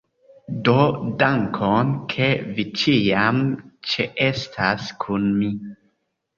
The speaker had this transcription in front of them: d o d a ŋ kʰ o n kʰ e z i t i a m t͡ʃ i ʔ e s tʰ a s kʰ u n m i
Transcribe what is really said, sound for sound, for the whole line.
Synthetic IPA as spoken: d o d a ŋ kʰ o n kʰ e v i t͡ʃ i a m t͡ʃ e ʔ e s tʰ a s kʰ u n m i